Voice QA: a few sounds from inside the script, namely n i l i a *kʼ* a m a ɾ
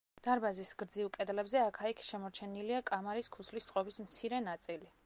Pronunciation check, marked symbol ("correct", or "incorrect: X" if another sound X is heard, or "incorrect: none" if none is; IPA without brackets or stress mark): correct